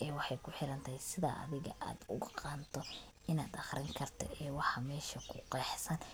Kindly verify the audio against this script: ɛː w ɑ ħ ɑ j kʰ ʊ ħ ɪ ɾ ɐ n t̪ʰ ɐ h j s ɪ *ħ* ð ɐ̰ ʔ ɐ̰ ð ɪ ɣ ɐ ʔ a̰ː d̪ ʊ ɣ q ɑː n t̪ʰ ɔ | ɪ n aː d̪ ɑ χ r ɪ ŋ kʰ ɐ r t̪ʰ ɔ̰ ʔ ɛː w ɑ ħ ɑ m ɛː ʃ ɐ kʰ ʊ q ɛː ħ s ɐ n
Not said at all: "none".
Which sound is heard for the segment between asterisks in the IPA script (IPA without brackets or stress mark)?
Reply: none